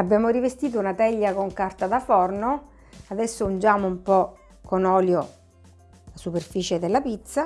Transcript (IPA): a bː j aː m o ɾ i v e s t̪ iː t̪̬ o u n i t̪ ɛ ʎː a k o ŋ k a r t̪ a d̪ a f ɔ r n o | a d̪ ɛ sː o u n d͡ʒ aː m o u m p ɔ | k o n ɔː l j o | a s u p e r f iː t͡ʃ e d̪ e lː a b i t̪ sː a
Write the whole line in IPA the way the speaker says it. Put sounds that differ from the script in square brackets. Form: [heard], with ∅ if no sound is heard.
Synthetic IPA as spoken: a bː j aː m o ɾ i v e s t̪ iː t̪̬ o u n [a] t̪ ɛ ʎː a k o ŋ k a r t̪ a d̪ a f ɔ r n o | a d̪ ɛ sː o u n d͡ʒ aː m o u m p ɔ | k o n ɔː l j o | a s u p e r f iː t͡ʃ e d̪ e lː a [p] i t̪ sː a